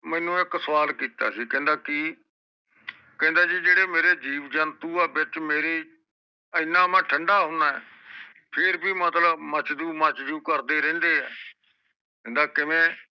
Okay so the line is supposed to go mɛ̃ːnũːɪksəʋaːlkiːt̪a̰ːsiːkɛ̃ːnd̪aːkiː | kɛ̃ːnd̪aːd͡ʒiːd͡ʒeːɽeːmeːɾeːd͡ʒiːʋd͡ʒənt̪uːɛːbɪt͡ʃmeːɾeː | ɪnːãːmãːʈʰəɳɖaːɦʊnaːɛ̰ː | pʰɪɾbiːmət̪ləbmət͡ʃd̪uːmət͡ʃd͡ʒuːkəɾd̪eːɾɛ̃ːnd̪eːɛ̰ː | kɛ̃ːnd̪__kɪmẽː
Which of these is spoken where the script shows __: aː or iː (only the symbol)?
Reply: aː